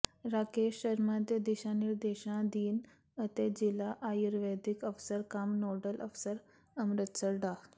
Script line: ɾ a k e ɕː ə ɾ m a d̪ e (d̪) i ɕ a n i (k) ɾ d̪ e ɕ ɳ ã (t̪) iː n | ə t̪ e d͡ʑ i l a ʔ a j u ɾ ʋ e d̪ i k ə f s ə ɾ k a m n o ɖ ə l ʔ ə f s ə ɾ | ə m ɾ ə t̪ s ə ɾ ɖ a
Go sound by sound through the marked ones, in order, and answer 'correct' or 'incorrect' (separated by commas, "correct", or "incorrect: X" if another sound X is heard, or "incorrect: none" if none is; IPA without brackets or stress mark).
correct, incorrect: none, incorrect: d̪